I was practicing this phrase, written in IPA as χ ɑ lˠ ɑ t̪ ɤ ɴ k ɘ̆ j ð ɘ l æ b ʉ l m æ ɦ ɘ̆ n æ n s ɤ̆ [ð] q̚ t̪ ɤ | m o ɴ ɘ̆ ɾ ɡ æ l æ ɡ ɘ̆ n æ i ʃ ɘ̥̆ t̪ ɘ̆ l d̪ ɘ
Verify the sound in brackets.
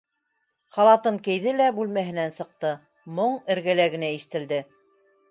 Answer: incorrect: none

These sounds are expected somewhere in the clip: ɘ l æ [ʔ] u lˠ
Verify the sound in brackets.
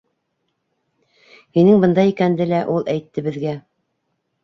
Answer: correct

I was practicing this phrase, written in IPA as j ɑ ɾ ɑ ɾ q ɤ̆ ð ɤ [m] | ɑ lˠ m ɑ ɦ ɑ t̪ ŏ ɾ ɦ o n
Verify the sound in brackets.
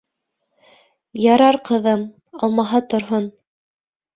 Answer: correct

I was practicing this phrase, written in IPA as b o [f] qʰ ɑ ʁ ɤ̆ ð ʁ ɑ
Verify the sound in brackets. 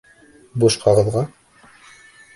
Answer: incorrect: ʃ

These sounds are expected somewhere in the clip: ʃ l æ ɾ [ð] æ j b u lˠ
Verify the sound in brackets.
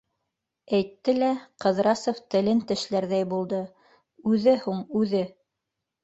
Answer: correct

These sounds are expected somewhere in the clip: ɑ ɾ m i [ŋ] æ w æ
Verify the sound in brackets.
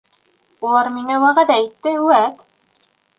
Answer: correct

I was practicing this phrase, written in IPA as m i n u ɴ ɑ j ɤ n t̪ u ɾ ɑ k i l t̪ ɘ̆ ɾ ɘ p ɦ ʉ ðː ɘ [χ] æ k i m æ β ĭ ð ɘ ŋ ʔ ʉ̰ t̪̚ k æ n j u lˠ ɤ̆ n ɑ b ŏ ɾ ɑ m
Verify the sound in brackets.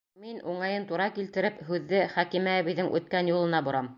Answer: correct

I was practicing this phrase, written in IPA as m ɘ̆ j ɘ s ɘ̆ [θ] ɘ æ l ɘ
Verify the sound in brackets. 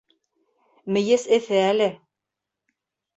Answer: correct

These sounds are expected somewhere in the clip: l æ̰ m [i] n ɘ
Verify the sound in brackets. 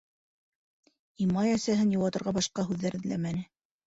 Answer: incorrect: æ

